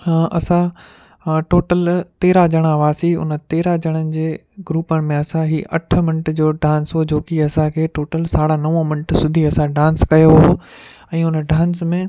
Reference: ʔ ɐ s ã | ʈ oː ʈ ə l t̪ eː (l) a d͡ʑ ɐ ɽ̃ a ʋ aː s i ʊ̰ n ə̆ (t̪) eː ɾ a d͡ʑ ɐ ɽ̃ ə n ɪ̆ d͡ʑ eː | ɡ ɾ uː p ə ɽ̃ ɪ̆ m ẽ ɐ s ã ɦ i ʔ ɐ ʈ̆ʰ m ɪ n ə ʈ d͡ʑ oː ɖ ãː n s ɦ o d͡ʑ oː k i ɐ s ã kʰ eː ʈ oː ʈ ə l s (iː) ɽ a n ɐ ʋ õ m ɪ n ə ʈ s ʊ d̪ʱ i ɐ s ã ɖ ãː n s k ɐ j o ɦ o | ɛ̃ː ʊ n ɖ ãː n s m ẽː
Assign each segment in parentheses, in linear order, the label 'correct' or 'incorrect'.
incorrect, correct, incorrect

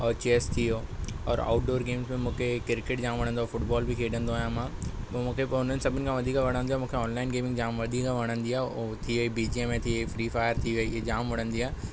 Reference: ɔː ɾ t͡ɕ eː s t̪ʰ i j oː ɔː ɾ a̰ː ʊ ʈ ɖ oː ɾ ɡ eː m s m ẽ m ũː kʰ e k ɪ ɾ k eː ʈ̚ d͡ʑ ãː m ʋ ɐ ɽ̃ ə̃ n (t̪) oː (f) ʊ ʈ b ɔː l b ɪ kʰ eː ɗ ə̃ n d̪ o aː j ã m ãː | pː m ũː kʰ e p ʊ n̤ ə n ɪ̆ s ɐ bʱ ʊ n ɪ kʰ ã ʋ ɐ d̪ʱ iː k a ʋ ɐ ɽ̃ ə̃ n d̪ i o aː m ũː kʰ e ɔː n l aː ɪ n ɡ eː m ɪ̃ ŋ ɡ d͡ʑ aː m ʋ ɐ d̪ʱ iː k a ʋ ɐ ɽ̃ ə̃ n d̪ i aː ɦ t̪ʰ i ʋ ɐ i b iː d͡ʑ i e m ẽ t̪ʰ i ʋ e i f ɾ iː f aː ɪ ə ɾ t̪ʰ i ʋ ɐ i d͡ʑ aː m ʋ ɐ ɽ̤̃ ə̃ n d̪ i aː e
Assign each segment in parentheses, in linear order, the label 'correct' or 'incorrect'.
incorrect, correct

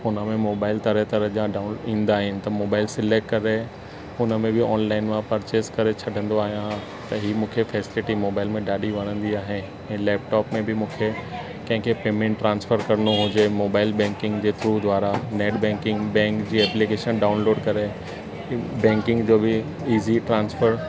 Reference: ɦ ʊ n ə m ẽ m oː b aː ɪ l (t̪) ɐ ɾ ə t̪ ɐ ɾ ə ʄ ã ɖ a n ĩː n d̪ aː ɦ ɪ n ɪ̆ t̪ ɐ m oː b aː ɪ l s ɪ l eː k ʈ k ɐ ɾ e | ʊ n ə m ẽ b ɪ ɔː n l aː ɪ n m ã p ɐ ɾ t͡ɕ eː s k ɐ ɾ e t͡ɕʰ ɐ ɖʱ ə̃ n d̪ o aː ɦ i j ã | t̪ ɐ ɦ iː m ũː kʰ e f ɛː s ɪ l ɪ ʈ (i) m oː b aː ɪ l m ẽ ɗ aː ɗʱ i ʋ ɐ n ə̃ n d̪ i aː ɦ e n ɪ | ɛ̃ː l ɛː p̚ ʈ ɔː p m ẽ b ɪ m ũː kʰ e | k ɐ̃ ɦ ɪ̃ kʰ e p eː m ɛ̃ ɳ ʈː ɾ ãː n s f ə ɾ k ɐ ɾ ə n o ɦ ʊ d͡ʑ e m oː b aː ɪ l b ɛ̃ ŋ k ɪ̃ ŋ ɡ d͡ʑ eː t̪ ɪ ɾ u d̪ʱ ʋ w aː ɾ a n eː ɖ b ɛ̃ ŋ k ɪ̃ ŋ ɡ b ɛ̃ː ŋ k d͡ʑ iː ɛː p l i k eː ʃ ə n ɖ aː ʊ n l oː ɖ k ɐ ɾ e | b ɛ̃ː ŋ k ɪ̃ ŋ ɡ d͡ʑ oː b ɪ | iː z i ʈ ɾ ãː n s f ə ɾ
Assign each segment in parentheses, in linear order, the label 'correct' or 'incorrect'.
correct, correct

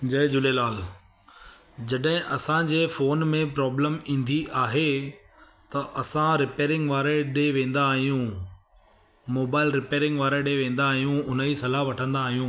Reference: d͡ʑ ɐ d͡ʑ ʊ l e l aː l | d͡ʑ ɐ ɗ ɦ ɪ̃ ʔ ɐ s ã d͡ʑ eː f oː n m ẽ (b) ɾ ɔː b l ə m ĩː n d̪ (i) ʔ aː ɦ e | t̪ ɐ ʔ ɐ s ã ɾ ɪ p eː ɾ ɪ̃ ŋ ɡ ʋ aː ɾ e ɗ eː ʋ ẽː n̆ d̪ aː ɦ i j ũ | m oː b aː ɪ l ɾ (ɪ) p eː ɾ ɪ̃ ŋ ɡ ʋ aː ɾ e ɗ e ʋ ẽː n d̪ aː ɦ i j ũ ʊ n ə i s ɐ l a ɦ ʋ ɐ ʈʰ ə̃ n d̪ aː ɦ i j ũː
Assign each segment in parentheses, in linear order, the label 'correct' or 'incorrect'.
incorrect, correct, correct

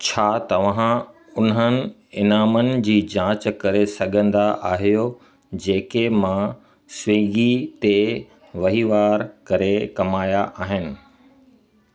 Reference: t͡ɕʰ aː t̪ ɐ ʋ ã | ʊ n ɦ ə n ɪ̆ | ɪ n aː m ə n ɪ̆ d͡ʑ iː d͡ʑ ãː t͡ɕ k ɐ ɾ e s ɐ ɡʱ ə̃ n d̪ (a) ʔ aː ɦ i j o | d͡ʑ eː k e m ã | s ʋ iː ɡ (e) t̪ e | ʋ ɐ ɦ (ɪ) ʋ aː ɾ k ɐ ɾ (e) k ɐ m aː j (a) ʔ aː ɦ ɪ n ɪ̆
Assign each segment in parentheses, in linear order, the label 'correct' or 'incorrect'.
correct, incorrect, incorrect, correct, correct

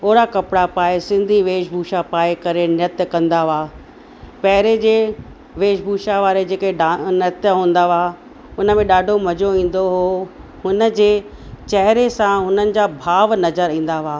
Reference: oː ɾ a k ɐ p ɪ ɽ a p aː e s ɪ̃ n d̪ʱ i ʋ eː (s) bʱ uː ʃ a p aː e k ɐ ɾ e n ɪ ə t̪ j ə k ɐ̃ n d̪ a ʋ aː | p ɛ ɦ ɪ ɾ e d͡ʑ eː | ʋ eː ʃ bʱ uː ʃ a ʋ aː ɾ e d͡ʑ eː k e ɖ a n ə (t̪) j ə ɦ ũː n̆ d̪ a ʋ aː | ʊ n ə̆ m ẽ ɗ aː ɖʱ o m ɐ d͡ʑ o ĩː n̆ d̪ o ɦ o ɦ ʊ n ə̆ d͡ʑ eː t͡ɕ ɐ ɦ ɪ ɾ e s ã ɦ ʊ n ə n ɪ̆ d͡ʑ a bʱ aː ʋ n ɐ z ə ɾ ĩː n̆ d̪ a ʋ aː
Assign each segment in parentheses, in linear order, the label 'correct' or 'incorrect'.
incorrect, correct

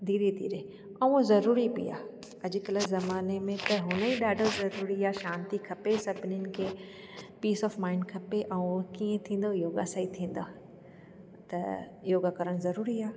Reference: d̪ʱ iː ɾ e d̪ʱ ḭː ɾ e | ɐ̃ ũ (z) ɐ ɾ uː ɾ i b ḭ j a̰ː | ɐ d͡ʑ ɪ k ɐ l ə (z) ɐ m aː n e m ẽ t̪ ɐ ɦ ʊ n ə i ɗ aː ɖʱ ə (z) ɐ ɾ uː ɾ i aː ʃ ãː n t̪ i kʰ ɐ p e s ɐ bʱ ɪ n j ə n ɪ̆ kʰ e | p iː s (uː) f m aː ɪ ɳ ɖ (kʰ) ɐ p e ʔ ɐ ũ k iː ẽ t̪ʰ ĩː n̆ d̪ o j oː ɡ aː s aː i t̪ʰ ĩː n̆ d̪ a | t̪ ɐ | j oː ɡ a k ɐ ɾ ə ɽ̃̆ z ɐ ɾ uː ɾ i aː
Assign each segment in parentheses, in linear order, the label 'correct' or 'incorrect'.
correct, correct, correct, incorrect, correct

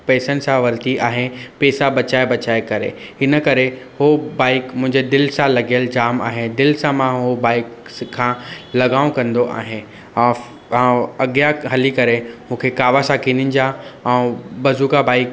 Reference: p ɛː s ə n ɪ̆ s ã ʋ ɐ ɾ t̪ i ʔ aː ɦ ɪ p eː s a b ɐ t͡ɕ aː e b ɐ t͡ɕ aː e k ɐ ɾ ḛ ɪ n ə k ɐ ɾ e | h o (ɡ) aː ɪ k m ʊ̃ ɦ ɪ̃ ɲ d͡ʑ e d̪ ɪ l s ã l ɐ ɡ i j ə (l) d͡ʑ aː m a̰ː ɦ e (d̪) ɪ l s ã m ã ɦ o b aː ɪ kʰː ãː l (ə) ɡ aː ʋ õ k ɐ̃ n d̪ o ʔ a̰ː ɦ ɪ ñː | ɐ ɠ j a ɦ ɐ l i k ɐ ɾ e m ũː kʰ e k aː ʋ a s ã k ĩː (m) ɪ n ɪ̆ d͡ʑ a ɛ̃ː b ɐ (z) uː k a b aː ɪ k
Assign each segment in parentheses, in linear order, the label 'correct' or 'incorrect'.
incorrect, correct, correct, incorrect, incorrect, correct

